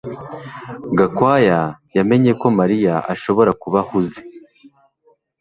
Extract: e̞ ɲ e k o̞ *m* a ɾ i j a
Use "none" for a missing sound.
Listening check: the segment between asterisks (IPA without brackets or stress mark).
m